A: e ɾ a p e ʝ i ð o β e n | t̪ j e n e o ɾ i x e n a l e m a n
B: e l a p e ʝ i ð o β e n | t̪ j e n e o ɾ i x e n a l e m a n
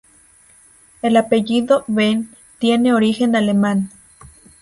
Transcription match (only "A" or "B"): B